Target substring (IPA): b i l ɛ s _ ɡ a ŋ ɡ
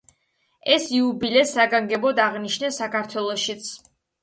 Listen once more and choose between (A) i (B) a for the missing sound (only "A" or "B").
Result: B